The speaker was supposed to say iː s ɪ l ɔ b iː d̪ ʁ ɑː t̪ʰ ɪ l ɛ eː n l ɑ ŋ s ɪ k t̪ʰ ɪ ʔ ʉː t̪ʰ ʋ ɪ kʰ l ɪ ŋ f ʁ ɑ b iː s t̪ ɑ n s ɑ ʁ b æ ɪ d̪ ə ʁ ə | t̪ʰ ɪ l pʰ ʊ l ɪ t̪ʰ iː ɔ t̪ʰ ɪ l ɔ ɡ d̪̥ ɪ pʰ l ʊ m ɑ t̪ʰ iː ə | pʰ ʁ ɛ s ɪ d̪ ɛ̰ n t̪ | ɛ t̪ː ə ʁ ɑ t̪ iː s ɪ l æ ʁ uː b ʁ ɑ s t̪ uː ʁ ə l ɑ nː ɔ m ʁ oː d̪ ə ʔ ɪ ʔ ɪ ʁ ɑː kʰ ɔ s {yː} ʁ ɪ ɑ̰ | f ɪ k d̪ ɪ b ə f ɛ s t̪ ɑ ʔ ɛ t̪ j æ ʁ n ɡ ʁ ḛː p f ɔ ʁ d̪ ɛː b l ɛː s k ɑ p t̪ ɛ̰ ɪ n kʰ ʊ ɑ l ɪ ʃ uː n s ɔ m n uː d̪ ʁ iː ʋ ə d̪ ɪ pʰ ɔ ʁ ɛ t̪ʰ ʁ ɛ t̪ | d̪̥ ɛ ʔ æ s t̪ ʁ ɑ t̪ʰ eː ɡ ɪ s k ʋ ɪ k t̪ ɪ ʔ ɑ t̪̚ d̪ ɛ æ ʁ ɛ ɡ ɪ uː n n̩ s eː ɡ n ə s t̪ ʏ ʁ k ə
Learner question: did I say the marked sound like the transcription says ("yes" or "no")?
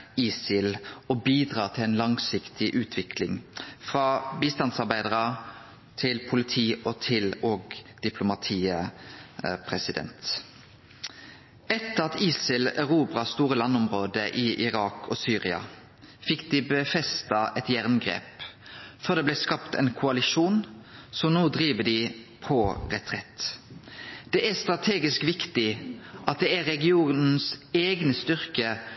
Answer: yes